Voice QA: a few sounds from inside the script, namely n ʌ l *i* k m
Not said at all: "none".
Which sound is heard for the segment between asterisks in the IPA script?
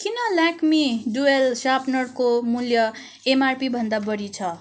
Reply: a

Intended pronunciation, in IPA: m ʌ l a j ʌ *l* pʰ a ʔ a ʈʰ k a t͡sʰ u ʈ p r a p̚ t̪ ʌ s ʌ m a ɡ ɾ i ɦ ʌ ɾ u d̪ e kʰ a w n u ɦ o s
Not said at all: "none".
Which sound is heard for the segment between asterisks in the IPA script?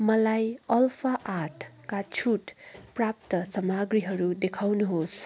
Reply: l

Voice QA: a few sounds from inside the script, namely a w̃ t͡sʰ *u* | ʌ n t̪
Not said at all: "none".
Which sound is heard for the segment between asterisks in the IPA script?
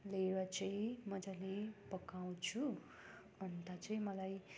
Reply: u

